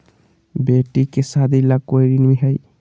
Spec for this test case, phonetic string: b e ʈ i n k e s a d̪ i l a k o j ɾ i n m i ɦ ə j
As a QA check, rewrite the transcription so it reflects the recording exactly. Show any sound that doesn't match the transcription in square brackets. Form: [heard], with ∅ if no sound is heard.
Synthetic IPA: b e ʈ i [∅] k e s a d̪ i l a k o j ɾ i n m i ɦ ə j